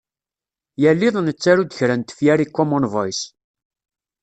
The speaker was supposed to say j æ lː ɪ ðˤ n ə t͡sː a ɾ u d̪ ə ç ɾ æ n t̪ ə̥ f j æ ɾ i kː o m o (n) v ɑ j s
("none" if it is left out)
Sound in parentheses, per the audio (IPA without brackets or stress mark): n